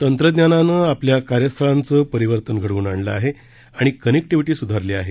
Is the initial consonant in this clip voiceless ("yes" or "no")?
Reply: yes